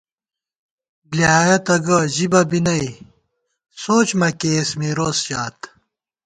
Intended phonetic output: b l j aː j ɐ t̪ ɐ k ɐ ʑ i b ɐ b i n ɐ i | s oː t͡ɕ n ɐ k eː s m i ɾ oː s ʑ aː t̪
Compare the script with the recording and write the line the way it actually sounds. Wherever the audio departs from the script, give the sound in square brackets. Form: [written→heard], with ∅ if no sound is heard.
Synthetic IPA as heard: b l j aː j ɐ t̪ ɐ [k→ɡ] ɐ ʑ i b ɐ b i n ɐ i | s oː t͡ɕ [n→m] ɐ k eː s m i ɾ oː s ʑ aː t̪